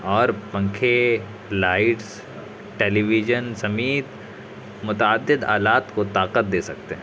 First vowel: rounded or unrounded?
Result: rounded